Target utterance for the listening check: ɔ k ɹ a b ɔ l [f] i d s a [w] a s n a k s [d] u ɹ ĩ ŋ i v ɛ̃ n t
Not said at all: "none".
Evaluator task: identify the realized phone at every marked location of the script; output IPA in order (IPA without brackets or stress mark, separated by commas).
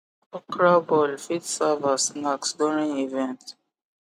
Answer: f, v, d